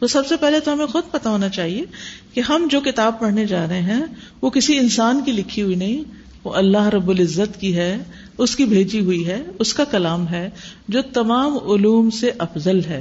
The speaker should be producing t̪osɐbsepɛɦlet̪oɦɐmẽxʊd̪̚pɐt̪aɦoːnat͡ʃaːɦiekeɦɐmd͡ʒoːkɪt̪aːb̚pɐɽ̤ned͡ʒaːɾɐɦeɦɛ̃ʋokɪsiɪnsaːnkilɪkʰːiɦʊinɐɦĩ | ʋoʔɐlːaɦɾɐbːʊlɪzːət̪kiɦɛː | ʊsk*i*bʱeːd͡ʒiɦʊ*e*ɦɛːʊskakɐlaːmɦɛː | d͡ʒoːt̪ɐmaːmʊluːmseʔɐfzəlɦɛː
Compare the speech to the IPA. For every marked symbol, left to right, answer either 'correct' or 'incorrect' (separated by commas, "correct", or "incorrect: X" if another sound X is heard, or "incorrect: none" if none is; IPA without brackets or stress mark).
correct, incorrect: i